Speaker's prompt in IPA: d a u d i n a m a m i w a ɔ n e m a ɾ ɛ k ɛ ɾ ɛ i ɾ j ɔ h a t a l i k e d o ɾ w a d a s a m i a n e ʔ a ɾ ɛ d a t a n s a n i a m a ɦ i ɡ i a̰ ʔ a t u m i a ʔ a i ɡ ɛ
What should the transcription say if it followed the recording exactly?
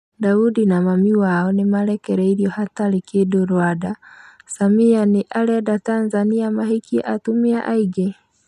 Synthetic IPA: d a u d i n a m a m i w a ɔ n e m a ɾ ɛ k ɛ ɾ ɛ i ɾ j ɔ h a t a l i k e d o ɾ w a d a s a m i a n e ʔ a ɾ ɛ d a t a n z a n i a m a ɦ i k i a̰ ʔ a t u m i a ʔ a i ɡ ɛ